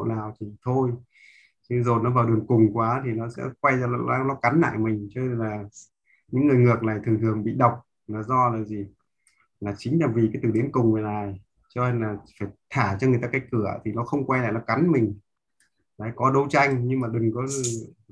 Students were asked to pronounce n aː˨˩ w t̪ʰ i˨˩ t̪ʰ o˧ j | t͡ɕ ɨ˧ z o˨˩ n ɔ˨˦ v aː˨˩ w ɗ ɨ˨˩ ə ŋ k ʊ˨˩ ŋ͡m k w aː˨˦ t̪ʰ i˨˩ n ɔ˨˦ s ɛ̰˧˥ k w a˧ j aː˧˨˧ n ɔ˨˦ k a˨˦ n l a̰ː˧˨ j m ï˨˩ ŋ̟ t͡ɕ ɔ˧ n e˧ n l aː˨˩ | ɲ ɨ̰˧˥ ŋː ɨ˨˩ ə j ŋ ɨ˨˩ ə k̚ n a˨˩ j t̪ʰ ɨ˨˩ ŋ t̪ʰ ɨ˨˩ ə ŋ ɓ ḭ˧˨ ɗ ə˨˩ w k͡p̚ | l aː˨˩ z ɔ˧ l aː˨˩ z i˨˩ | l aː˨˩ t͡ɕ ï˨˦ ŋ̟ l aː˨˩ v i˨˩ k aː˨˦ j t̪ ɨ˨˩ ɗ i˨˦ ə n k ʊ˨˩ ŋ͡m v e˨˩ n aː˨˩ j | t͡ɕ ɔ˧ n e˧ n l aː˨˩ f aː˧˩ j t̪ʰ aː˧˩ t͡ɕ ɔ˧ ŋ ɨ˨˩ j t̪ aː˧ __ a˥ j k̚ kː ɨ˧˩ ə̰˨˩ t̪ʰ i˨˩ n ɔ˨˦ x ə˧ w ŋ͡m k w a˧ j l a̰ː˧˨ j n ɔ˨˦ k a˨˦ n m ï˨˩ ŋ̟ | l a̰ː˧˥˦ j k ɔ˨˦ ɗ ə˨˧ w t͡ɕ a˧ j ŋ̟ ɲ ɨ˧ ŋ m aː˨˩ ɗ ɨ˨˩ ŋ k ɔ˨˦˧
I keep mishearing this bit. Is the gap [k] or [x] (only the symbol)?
k